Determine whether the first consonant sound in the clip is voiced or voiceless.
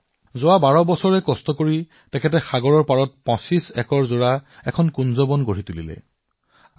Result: voiced